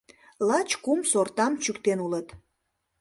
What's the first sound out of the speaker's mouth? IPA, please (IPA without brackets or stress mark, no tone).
l